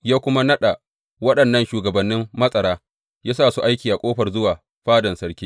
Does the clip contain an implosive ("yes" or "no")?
yes